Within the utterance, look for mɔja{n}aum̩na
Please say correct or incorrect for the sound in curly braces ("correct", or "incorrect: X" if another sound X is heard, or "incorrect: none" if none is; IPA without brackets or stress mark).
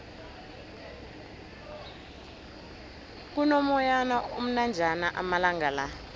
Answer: correct